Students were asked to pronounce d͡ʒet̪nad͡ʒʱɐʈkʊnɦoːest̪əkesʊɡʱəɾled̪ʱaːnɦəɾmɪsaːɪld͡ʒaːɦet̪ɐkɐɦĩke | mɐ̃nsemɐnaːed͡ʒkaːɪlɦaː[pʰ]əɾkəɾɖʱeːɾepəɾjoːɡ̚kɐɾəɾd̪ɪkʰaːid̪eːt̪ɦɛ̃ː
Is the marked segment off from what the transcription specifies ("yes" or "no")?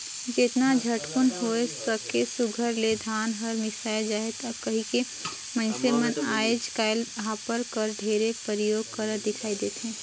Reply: yes